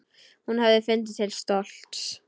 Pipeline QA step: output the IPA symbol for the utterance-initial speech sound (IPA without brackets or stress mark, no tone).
h